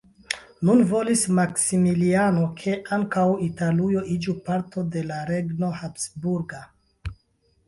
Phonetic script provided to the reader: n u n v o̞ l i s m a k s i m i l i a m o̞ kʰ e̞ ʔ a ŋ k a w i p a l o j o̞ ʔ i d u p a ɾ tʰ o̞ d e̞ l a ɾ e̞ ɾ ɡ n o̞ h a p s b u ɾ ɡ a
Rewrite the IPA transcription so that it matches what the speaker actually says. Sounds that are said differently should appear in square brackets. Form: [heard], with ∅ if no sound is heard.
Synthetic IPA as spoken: n u n v o̞ l i s m a k s i m i l i a [n] o̞ kʰ e̞ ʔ a ŋ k a w i [t] a l [u] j o̞ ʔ i [d͡ʒ] u p a ɾ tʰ o̞ d e̞ l a ɾ e̞ [∅] ɡ n o̞ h a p s b u ɾ ɡ a